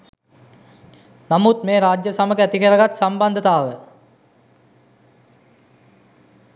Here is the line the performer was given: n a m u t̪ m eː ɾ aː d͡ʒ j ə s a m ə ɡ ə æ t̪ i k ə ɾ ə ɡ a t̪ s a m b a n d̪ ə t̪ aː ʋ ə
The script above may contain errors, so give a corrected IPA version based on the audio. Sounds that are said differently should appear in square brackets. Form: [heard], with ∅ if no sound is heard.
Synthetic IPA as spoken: n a m u t̪ m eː ɾ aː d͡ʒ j ə s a m ə ɡ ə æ t̪ i k ə ɾ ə ɡ a t̪ s a m b a n d̪ ə t̪ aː ʋ ə

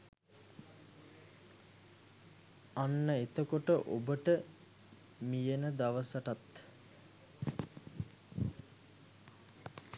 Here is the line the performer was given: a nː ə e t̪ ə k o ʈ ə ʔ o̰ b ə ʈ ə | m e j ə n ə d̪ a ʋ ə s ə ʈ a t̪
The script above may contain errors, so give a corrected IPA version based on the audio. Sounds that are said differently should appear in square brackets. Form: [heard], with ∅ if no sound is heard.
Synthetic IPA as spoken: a nː ə e t̪ ə k o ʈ ə ʔ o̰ b ə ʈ ə | m [i] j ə n ə d̪ a ʋ ə s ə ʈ a t̪

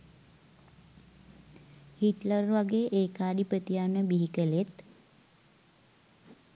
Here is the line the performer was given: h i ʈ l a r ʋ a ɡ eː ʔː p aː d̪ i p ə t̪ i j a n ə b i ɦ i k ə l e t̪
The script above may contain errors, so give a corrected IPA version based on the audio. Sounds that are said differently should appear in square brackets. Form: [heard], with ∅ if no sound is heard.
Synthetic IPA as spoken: h i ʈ l [ə] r ʋ a ɡ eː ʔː [k] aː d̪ i p ə t̪ i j a n ə b i ɦ i k ə l e t̪

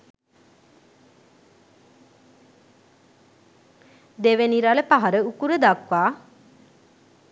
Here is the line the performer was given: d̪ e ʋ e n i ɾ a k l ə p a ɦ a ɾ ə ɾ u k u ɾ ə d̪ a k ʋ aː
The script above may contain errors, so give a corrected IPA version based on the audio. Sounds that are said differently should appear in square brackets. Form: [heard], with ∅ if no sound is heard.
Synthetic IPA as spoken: d̪ e ʋ e n i ɾ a [∅] l ə p a ɦ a ɾ ə [∅] u k u ɾ ə d̪ a k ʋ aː

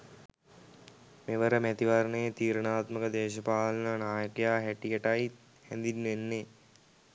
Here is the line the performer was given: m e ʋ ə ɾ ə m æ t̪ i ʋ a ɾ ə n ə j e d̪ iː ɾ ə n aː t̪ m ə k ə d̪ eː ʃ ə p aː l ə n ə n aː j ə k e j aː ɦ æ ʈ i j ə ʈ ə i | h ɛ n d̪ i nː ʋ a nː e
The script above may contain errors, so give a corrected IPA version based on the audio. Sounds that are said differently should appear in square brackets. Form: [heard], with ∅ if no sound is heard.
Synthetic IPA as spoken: m e ʋ ə ɾ ə m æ t̪ i ʋ a ɾ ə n ə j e [t̪] iː ɾ ə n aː t̪ m ə k ə d̪ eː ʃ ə p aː l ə n ə n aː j ə k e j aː ɦ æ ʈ i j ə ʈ [a] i | h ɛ n d̪ i nː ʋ [e] nː e

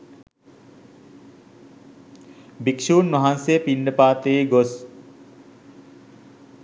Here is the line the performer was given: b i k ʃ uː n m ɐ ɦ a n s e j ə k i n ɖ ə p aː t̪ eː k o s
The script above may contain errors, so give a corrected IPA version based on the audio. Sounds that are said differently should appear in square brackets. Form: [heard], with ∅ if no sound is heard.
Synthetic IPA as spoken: b i k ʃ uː n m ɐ ɦ a n s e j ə [p] i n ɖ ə p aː t̪ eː [ɡ] o s

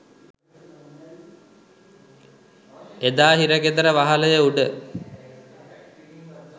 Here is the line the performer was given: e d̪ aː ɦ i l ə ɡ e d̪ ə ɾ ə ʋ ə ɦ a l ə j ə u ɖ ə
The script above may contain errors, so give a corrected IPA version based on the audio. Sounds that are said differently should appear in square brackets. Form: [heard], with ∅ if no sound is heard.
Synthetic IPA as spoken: e d̪ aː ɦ i [ɾ] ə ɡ e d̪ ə ɾ ə ʋ [a] ɦ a l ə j ə u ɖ ə

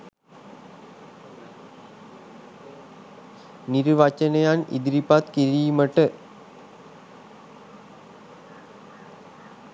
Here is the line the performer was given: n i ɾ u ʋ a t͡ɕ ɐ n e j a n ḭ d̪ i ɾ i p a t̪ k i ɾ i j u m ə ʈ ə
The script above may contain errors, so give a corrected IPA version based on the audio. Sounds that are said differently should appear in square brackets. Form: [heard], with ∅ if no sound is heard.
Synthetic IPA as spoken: n i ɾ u ʋ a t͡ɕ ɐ n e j a n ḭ d̪ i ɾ i p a t̪ k i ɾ i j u m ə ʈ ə

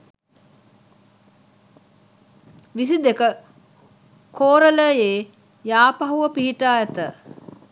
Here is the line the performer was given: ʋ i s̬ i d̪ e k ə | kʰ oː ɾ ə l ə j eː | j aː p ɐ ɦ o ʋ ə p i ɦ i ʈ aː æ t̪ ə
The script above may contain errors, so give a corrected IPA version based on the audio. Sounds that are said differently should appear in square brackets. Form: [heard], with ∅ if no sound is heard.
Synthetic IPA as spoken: ʋ i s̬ i d̪ e k ə | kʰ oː ɾ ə l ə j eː | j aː p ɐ ɦ [u] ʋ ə p i ɦ i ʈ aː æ t̪ ə

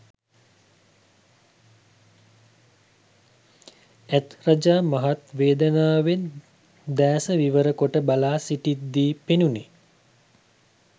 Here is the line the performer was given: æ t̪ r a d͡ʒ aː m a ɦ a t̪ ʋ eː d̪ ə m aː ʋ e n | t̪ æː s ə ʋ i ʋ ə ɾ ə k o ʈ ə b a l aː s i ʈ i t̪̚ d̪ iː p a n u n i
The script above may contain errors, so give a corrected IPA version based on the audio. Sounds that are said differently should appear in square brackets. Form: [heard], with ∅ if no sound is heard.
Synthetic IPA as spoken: æ t̪ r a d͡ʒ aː m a ɦ a t̪ ʋ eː d̪ ə [n] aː ʋ e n | [d̪] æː s ə ʋ i ʋ ə ɾ ə k o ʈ ə b a l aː s i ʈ i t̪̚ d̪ iː p [e] n u n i

